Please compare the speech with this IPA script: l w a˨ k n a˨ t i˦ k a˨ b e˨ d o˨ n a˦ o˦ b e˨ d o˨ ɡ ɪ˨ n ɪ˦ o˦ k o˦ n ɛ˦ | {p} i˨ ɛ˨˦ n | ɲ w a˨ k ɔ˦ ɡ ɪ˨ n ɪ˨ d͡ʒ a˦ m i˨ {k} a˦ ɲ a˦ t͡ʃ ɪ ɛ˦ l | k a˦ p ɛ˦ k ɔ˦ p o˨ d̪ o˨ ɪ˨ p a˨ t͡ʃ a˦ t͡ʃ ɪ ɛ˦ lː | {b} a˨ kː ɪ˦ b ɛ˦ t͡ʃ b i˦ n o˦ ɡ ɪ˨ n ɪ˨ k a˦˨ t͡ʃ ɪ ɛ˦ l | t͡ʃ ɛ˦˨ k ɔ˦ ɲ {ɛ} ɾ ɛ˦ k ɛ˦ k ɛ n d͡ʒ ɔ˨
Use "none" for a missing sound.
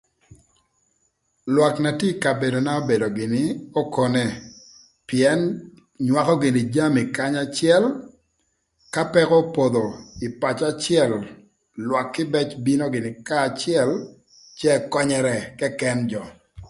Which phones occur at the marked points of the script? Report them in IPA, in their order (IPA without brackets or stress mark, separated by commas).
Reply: p, k, w, ɛ